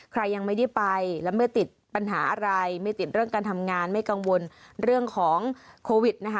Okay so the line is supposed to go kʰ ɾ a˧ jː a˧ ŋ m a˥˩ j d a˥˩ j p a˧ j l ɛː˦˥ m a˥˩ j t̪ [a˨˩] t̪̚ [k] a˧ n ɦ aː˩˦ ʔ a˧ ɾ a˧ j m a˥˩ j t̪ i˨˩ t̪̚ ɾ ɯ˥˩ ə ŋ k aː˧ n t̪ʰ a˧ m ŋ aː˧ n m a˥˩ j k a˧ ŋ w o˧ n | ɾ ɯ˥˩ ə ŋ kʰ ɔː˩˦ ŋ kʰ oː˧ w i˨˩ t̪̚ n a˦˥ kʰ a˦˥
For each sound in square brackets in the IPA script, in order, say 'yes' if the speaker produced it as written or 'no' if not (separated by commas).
no, no